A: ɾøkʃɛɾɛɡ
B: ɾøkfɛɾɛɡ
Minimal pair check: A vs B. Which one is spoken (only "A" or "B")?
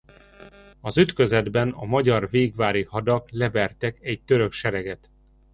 A